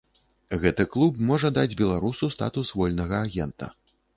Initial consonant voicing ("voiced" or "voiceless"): voiced